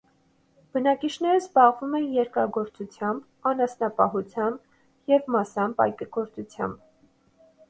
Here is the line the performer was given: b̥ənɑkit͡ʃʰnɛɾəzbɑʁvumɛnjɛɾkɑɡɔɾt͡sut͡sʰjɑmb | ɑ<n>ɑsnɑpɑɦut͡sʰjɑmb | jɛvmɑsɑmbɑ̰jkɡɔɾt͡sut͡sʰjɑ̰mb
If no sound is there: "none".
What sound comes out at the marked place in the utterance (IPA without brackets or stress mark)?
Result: n